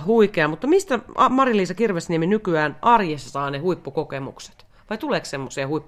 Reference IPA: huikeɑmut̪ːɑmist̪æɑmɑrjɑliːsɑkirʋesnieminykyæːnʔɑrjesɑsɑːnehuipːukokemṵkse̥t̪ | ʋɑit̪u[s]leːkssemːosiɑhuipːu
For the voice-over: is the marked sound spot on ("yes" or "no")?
no